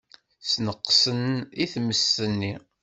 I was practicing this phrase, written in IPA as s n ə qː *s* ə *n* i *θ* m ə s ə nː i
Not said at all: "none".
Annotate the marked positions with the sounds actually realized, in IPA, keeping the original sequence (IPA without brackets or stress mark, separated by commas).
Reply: s, n, θ